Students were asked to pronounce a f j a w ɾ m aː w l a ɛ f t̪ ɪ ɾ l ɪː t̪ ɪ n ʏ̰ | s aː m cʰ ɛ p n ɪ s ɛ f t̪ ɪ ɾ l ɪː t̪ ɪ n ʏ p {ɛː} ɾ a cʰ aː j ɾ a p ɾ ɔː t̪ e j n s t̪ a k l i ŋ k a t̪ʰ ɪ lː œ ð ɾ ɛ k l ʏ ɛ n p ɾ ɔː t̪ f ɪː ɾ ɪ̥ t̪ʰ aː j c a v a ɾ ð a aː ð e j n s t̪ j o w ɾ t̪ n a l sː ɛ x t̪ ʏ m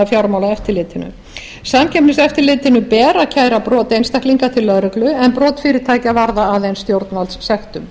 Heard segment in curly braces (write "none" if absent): ɛː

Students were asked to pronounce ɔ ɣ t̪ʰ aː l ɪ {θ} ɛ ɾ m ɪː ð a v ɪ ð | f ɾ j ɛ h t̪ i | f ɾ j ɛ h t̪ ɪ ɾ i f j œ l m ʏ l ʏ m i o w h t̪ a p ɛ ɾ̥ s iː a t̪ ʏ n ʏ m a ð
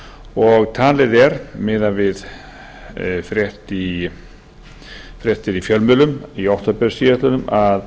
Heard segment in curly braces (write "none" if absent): ð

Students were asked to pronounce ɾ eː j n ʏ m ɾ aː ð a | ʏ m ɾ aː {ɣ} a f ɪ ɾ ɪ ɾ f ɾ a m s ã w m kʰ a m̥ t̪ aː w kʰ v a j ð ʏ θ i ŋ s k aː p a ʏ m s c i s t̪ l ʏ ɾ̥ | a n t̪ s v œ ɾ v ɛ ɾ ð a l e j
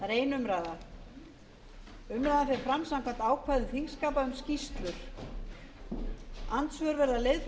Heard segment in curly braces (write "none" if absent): ð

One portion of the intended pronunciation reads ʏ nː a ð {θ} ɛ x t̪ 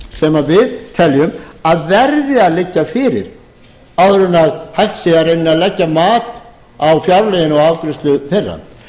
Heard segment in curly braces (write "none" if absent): h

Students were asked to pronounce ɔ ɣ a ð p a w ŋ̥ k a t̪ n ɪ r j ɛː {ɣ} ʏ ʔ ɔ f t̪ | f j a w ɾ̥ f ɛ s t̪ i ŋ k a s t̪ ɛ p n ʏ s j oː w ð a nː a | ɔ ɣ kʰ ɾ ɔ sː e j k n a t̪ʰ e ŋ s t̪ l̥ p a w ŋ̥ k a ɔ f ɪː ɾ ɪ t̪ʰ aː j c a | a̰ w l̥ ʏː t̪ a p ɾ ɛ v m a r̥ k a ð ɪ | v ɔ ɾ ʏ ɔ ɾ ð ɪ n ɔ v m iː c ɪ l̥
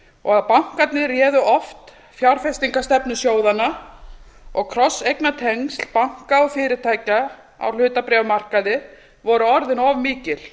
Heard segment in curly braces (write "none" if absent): ð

